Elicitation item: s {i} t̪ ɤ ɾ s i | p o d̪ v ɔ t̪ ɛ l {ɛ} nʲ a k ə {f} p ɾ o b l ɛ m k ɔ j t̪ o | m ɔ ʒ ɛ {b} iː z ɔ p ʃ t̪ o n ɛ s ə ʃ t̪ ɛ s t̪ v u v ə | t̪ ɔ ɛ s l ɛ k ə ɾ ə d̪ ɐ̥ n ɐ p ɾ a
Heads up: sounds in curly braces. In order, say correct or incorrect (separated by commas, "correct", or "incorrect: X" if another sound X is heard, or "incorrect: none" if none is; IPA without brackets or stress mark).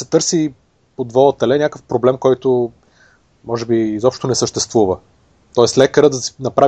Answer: incorrect: ɛ, correct, correct, correct